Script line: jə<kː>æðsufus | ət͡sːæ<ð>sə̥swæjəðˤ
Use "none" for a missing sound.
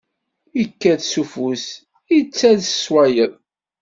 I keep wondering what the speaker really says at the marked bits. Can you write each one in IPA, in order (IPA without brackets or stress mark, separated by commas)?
kː, ð